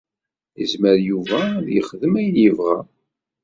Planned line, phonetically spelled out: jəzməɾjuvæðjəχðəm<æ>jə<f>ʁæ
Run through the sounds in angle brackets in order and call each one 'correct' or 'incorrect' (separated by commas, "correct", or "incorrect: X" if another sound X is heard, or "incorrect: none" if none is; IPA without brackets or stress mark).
correct, incorrect: v